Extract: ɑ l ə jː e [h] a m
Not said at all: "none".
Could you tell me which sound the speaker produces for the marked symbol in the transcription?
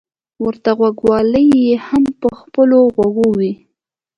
h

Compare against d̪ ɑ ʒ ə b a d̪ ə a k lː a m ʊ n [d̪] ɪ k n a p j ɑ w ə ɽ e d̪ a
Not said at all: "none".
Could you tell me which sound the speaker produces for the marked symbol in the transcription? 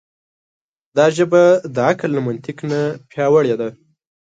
t̪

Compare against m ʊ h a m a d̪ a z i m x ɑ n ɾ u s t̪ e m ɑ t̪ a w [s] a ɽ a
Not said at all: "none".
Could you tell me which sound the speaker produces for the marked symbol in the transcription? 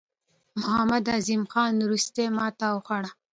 x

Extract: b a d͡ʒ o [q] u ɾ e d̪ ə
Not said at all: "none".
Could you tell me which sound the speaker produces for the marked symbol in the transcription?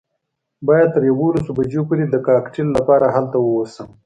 p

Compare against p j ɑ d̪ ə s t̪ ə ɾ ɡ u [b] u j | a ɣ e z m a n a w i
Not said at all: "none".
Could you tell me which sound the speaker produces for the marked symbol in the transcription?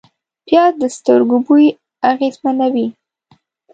b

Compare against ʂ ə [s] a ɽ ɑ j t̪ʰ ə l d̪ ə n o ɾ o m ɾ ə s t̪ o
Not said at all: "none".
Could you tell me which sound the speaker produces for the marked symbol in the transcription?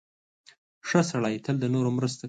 s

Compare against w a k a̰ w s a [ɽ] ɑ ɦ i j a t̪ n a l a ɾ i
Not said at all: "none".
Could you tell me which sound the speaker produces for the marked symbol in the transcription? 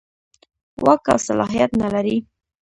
l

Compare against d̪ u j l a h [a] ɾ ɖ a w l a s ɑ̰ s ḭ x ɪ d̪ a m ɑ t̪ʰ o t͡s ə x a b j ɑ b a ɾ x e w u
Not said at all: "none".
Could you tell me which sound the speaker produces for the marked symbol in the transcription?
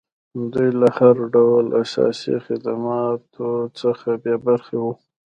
a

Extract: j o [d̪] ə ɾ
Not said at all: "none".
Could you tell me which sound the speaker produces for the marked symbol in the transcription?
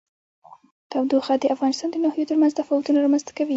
t̪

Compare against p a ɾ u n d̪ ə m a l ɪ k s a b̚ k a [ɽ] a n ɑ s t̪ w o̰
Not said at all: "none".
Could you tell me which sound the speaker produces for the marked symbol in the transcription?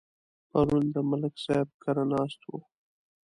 ɾ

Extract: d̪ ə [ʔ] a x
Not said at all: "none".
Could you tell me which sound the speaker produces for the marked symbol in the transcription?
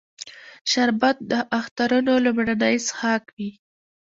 ʔ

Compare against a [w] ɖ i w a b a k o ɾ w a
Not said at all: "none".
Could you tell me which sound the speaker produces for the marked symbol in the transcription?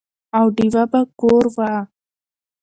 w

